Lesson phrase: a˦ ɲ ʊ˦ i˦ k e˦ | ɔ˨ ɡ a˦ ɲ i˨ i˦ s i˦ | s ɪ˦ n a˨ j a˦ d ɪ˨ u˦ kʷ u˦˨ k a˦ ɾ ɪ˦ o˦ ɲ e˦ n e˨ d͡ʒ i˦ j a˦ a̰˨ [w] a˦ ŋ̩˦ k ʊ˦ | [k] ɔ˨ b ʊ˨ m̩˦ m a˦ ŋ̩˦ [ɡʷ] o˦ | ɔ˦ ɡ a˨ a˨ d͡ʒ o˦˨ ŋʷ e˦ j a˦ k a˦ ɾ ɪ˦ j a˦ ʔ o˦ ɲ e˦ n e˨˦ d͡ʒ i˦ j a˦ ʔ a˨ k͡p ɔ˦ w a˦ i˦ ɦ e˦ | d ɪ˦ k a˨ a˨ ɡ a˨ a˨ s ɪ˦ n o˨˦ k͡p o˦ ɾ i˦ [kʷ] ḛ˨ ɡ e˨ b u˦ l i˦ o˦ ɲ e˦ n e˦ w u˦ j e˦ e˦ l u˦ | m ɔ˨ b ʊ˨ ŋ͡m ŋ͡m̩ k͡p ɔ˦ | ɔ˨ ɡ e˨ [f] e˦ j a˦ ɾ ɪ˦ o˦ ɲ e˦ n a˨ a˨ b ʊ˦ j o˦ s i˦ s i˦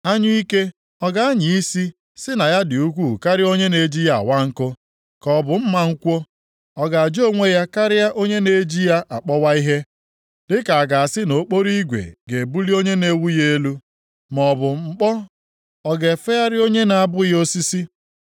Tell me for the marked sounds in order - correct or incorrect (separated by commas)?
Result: correct, correct, incorrect, incorrect, correct